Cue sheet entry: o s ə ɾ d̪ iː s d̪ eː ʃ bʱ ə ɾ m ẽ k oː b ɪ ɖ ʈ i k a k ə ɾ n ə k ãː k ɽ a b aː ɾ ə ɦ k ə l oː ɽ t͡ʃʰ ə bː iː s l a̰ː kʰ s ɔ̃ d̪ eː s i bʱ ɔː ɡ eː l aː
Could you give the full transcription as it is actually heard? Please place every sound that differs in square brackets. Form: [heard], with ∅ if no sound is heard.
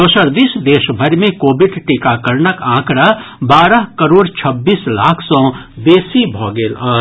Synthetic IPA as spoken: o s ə ɾ d̪ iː s d̪ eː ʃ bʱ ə ɾ m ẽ k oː b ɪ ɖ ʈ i k a k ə ɾ n ə k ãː k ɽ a b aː ɾ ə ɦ k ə [ɾ] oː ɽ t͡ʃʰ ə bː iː s l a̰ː kʰ s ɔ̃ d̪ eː s i bʱ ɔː ɡ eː l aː